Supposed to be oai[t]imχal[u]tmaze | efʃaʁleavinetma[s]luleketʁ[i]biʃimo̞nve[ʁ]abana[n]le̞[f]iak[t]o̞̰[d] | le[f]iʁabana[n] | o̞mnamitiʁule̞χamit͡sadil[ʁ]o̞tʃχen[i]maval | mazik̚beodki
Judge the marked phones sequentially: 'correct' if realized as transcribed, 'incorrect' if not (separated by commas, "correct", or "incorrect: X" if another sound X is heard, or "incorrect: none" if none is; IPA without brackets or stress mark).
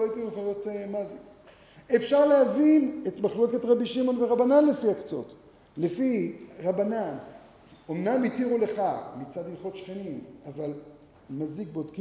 correct, incorrect: o, incorrect: χ, incorrect: a, correct, correct, correct, incorrect: t͡s, incorrect: t, correct, correct, incorrect: χ, correct